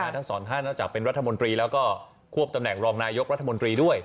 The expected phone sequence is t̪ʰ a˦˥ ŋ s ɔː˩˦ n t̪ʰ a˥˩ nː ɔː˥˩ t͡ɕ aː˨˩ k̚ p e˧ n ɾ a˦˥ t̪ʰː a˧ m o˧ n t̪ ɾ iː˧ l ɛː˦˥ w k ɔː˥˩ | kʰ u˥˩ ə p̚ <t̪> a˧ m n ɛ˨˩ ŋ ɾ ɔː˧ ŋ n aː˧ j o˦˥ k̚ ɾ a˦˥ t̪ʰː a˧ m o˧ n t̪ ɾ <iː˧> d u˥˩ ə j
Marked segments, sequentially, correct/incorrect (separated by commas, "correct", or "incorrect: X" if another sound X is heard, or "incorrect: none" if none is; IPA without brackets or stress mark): correct, correct